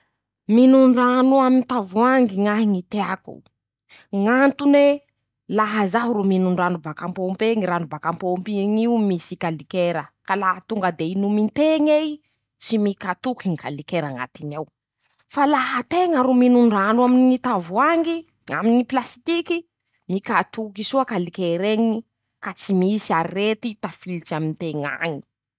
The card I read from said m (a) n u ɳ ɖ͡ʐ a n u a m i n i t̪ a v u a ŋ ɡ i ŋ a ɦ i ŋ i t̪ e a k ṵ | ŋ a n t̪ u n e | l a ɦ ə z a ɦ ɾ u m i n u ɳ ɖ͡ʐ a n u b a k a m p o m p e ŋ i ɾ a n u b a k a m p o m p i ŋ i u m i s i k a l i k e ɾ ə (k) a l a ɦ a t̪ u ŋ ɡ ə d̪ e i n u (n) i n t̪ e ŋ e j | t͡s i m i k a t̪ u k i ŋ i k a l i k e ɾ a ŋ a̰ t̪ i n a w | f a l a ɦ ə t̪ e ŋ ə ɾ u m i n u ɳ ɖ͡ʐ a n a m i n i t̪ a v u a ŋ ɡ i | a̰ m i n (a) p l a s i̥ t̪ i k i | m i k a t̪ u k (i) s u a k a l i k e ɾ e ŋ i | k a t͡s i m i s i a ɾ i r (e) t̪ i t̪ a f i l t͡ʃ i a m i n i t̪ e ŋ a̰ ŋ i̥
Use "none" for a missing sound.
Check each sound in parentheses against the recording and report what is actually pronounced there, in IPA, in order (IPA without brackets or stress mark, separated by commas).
i, k, m, i, i, e